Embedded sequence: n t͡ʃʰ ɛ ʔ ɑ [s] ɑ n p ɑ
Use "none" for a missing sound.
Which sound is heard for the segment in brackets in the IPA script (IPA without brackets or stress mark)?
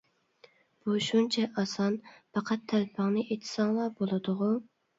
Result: s